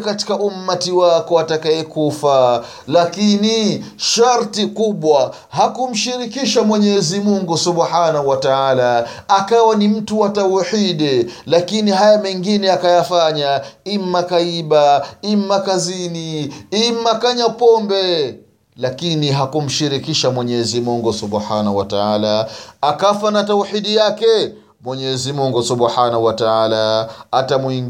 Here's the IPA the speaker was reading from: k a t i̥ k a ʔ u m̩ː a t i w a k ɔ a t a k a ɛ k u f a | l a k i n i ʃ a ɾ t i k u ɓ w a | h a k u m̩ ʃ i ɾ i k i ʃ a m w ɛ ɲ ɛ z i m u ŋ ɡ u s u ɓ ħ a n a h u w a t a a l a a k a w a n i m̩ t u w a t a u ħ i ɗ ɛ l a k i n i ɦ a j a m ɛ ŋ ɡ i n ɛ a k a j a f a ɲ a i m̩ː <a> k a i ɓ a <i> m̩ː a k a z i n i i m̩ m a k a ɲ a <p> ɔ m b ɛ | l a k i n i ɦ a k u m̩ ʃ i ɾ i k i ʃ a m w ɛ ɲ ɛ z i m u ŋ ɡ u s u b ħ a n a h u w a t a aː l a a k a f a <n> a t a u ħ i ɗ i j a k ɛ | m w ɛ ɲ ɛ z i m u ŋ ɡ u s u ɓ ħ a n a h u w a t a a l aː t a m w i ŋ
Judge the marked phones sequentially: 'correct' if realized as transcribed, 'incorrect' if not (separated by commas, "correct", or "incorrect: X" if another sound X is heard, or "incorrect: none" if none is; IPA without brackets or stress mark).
correct, correct, correct, correct